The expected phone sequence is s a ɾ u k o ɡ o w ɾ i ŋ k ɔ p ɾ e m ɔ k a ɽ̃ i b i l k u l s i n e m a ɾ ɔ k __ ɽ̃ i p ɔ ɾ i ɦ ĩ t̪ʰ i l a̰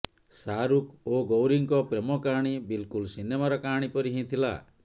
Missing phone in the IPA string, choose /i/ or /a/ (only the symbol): a